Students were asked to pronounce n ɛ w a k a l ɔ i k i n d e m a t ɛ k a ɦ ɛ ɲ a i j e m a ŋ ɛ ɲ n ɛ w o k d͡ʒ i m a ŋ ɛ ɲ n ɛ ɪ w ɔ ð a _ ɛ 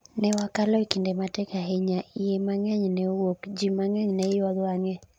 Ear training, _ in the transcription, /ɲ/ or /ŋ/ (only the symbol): ŋ